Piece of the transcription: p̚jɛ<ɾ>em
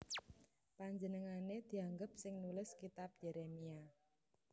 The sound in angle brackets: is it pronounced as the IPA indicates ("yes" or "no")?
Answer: yes